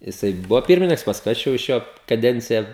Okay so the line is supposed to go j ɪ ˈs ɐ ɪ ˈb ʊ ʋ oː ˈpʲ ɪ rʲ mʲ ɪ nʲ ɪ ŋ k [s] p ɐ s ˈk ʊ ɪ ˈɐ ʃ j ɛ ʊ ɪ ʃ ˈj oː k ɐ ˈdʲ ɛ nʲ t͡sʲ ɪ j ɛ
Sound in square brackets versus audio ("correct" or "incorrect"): correct